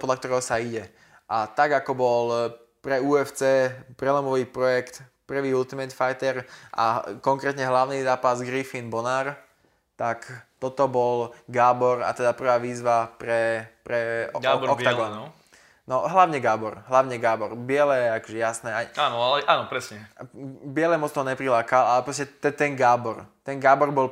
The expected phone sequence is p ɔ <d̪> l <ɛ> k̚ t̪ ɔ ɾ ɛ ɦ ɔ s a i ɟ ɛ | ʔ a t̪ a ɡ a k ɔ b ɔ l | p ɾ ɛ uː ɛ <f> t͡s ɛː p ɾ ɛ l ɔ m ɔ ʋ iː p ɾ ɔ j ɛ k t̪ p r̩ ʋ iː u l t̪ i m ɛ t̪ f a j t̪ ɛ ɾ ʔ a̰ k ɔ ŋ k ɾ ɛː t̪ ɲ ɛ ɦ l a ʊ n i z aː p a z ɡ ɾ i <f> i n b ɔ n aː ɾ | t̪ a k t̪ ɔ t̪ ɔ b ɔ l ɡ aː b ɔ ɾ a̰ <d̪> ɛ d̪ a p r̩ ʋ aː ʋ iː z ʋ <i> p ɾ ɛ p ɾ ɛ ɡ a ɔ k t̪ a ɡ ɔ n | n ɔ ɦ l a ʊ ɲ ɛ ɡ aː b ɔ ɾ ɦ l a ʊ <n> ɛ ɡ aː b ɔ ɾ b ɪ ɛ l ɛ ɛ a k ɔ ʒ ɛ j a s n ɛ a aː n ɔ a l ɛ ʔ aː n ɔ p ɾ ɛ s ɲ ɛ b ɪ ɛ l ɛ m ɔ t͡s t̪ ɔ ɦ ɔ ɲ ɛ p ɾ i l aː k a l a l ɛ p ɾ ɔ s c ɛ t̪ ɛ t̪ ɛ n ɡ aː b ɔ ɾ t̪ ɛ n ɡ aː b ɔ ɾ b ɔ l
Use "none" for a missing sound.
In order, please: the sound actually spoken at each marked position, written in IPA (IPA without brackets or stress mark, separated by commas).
d̪, a, f, f, t̪, a, ɲ